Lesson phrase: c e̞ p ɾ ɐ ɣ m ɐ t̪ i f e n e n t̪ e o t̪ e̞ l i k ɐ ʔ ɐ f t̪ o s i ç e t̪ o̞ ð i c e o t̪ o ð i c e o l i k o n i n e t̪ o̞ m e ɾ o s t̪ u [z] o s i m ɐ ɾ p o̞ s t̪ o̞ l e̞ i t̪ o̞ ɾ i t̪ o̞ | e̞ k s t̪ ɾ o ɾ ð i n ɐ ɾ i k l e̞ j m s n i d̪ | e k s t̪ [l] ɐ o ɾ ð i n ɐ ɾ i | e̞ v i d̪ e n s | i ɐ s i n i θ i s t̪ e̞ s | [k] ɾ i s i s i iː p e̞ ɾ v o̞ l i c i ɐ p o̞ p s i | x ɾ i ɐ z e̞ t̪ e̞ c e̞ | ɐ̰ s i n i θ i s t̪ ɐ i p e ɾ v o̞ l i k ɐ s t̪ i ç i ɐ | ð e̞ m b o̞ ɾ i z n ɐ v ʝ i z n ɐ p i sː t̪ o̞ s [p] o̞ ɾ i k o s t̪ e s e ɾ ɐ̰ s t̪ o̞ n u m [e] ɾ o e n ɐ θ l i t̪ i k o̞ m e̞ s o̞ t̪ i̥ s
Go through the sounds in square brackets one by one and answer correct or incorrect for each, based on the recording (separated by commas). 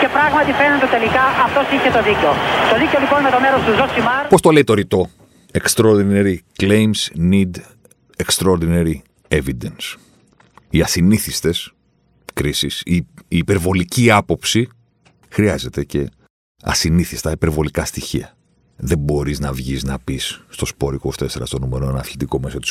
correct, incorrect, correct, correct, correct